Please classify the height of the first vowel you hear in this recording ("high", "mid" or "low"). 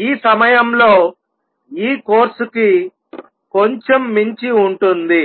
high